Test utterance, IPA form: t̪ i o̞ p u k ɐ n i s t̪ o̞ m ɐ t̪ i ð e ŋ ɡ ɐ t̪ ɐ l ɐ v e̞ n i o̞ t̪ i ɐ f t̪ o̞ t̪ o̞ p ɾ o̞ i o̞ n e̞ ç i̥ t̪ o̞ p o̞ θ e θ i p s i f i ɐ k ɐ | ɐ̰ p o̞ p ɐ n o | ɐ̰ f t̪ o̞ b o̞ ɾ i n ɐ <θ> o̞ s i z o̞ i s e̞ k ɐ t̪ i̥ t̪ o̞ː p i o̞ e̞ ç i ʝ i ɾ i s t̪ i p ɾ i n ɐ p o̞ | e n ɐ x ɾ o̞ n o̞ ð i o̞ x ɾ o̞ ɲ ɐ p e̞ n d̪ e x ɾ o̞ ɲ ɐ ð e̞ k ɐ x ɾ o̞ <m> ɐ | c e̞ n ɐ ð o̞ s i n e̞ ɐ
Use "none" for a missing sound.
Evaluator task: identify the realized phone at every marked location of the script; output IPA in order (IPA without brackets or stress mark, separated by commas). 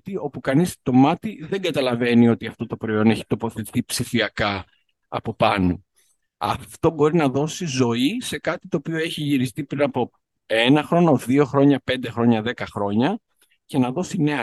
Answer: ð, ɲ